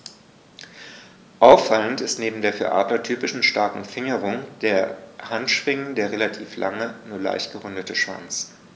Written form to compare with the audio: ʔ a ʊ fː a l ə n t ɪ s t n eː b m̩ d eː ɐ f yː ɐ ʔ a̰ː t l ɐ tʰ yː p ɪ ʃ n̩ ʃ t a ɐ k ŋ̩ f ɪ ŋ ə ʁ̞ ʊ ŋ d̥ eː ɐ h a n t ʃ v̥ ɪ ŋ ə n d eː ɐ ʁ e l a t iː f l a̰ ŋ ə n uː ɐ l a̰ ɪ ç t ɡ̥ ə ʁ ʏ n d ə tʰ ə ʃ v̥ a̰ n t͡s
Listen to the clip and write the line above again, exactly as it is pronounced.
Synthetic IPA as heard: ʔ a ʊ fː a l ə n t ɪ s t n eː b m̩ d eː ɐ f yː ɐ ʔ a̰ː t l ɐ tʰ yː p ɪ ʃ n̩ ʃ t a ɐ k ŋ̩ f ɪ ŋ ə ʁ̞ ʊ ŋ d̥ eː ɐ h a n t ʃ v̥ ɪ ŋ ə n d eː ɐ ʁ e l a tʰ iː f l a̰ ŋ ə n uː ɐ l a̰ ɪ ç t ɡ̥ ə ʁ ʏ n d ə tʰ ə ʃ v̥ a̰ n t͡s